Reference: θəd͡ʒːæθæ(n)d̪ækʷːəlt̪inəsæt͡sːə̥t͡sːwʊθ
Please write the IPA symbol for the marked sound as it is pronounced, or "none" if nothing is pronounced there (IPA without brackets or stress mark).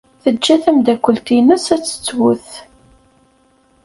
m